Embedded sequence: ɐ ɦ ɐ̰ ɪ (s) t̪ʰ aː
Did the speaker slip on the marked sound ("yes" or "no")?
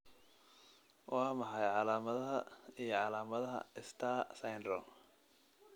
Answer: no